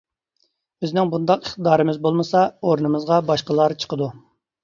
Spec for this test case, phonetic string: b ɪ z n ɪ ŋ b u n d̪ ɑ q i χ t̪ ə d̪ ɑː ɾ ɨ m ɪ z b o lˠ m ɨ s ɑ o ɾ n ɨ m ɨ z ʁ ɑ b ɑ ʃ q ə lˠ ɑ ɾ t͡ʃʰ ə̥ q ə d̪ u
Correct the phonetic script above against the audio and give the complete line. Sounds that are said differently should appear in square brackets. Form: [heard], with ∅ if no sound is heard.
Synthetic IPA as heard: b ɪ z n ɪ ŋ b u n d̪ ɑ q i χ t̪ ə d̪ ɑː ɾ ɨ m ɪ z b o lˠ m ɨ s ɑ o ɾ n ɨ m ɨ z ʁ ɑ b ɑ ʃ q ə lˠ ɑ ɾ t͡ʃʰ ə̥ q ə d̪ u